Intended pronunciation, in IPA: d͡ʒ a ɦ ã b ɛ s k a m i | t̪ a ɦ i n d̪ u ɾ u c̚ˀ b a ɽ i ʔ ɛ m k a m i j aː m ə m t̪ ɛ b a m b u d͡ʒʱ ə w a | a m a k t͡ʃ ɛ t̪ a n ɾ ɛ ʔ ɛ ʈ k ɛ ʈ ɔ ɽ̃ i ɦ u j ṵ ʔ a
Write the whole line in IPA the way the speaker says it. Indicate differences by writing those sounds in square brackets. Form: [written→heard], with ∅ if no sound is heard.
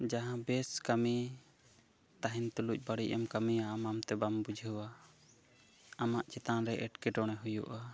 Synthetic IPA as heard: d͡ʒ a ɦ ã b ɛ s k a m i | t̪ a ɦ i n [d̪→t̪] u [ɾ→l] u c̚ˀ b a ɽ i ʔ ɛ m k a m i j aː m [ə→a] m t̪ ɛ b a m b u d͡ʒʱ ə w a | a m a [k→ʔ] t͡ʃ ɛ t̪ a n ɾ ɛ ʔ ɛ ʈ k ɛ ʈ ɔ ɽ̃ [i→ɛ] ɦ u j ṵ ʔ a